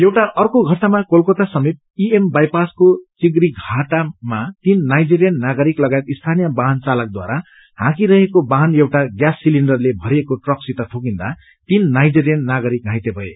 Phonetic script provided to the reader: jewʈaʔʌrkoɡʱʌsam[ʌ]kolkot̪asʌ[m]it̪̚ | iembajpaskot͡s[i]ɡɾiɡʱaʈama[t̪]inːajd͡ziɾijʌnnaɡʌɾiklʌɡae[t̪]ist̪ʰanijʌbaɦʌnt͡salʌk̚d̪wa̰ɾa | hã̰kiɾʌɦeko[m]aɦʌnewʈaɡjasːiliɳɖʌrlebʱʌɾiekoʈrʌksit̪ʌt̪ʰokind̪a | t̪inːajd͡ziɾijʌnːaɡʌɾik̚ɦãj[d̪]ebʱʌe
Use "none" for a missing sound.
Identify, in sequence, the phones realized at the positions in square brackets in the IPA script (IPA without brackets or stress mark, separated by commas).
a, m, i, t̪, t̪, b, t̪